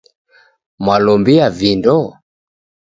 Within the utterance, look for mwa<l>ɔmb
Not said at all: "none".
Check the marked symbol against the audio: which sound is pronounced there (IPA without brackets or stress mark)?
l